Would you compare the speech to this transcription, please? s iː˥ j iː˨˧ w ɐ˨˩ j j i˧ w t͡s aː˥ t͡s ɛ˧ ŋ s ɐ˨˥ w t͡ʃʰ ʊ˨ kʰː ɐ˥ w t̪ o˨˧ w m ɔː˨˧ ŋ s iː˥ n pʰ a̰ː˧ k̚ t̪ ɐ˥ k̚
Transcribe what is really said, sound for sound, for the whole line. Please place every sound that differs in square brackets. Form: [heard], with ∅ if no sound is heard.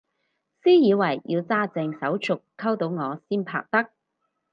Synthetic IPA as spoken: s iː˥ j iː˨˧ w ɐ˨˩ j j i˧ w t͡s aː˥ t͡s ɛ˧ ŋ s ɐ˨˥ w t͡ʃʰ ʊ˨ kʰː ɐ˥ w t̪ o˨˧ w [ŋ] ɔː˨˧ [∅] s iː˥ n pʰ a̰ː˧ k̚ t̪ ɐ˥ k̚